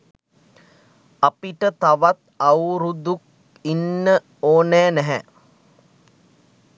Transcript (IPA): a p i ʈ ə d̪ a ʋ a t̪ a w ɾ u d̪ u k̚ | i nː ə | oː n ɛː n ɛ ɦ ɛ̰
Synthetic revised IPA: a p i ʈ ə t̪ a ʋ a t̪ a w ɾ u d̪ u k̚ | i nː ə | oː n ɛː n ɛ ɦ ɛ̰